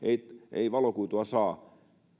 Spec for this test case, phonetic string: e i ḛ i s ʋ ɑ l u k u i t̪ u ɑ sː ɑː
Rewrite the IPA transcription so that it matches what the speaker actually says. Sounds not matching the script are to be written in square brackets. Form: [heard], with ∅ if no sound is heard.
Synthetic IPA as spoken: e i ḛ i [∅] ʋ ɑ l [o] k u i t̪ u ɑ [s] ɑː

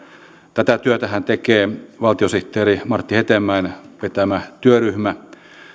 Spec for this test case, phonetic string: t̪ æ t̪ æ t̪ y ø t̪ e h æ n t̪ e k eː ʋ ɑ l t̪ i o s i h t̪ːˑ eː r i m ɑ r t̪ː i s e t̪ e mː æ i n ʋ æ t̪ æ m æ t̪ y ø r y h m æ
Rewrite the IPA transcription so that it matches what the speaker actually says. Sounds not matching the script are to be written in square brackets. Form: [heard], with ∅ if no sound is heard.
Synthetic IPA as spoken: t̪ æ t̪ æ t̪ y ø t̪ [æ] h æ n t̪ e k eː ʋ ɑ l t̪ i o s i h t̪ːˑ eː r i m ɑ r t̪ː i [h] e t̪ e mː æ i n ʋ [e] t̪ æ m æ t̪ y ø r y h m æ

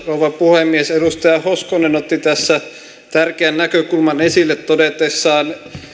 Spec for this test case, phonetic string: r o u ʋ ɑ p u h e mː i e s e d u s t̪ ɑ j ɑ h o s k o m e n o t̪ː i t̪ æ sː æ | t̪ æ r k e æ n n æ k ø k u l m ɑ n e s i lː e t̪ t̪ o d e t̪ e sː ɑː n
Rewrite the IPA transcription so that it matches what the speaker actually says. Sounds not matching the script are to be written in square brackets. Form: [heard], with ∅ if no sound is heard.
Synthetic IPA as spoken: r o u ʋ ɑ p u h e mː i e s e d u s t̪ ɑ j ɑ h o s k o [n] e n o t̪ː i t̪ æ sː æ | t̪ æ r k e æ n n æ k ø k u l m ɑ n e s i lː e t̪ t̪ o d e t̪ e sː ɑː n

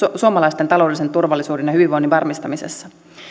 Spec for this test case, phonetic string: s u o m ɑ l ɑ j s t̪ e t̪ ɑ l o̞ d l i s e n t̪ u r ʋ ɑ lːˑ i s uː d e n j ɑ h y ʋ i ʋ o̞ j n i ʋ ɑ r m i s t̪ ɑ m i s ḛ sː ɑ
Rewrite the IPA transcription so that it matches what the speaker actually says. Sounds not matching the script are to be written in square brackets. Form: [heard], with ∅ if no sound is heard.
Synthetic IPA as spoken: s u o m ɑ l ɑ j s t̪ e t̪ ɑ l o̞ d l i s e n t̪ u r ʋ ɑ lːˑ i s uː d e n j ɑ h y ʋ i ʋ o̞ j n i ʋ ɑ r m i s t̪ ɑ m i s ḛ sː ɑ

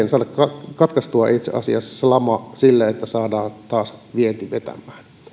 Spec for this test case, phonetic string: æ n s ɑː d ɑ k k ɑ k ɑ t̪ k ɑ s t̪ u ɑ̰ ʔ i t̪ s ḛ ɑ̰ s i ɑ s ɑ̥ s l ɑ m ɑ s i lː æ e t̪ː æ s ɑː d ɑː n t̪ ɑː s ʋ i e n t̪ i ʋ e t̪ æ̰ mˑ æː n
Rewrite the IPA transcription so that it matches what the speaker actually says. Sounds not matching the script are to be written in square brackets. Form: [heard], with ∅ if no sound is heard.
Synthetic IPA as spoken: [e] n s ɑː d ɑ k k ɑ k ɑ t̪ k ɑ s t̪ u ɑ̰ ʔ i t̪ s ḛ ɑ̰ s i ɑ s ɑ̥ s l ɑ m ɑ s i lː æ e t̪ː æ s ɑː d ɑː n t̪ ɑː s ʋ i e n t̪ i ʋ e t̪ æ̰ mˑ æː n

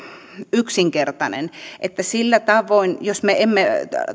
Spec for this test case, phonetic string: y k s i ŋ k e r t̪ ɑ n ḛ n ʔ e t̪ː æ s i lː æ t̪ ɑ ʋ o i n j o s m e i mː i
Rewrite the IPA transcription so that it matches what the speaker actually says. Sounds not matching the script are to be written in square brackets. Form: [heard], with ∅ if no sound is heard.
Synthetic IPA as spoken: y k s i ŋ k e r t̪ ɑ n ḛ n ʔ e t̪ː æ s i lː æ t̪ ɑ ʋ o i n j o s m e [e] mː [e]

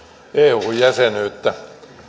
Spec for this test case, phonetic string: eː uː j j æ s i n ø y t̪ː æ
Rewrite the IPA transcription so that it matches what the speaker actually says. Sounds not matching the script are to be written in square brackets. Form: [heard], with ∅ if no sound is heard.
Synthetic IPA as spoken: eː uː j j æ s [e] n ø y t̪ː æ

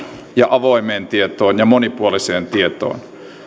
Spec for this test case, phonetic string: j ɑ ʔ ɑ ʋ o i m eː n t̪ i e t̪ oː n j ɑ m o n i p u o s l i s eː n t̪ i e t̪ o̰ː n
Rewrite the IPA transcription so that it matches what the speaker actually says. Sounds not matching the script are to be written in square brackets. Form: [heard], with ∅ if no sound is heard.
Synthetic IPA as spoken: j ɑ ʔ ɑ ʋ o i m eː n t̪ i e t̪ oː n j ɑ m o n i p u o [∅] l i s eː n t̪ i e t̪ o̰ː n

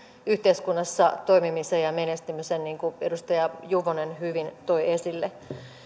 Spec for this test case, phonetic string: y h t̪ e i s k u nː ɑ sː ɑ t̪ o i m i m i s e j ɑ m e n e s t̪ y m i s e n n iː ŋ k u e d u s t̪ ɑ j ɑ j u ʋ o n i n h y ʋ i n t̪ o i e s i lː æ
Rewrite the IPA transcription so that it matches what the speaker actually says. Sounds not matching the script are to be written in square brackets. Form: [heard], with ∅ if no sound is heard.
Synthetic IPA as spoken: y h t̪ e i s k u nː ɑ sː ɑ t̪ o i m i m i s e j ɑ m e n e s t̪ y m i s e n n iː ŋ k u e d u s t̪ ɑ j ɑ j u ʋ o n [e] n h y ʋ i n t̪ o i e s i lː [e]

